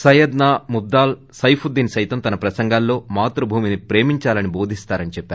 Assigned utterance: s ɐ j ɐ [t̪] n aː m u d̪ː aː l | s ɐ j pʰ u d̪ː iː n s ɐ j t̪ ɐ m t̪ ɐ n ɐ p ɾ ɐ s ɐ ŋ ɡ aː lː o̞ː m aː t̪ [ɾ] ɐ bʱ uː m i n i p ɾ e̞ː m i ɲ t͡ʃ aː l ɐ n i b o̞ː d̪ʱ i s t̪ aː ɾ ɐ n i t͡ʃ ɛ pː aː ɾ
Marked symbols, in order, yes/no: no, yes

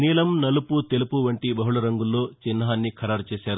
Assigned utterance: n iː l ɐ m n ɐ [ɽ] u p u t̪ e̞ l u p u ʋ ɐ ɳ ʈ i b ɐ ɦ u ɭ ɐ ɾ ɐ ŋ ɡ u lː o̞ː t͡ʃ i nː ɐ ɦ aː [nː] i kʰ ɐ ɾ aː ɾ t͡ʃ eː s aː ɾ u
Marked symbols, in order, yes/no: no, yes

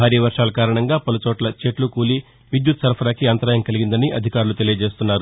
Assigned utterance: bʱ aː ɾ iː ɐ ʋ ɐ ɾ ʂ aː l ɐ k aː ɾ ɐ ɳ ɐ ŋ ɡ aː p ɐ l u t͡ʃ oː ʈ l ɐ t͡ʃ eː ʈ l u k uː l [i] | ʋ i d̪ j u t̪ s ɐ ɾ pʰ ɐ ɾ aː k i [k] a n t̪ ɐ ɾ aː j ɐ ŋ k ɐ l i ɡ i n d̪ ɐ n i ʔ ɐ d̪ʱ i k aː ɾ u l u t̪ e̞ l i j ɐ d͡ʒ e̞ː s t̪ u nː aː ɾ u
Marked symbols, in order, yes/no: yes, no

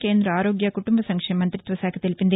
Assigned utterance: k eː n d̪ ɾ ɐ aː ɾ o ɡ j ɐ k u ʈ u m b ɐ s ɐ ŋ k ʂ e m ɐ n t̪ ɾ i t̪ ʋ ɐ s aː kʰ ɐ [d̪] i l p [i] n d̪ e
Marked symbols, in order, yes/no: no, yes

